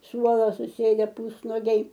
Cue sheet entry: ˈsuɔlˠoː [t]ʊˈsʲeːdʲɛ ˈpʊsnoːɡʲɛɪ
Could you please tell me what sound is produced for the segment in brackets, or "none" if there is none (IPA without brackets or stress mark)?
s